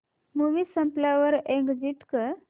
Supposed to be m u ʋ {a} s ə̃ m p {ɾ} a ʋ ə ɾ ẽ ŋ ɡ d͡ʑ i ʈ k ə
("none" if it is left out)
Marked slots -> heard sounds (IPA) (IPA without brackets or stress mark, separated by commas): i, l